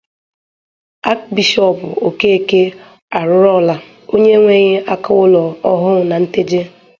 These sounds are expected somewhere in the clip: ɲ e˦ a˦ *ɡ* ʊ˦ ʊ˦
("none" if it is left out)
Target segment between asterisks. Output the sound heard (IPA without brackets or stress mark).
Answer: k